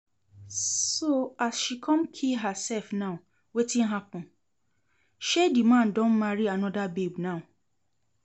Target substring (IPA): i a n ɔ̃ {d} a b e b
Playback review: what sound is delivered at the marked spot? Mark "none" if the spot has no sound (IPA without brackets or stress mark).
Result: d